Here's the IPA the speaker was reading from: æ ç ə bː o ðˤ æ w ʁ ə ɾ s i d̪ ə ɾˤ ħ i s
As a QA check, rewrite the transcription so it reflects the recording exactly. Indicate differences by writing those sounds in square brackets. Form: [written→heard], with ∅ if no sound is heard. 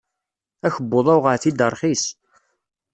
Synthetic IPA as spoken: æ ç ə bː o ðˤ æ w ʁ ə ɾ [s→θ] i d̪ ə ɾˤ [ħ→χ] i s